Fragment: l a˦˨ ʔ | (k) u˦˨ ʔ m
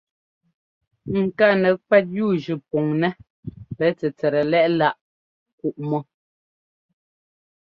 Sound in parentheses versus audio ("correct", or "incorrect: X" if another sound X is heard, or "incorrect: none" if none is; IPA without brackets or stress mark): correct